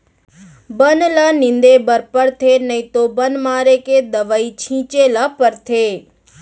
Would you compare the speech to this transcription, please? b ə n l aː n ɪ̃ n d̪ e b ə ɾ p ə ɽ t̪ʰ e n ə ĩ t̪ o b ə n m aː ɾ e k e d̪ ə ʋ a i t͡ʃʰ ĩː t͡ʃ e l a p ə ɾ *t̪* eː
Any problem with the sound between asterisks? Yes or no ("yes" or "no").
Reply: yes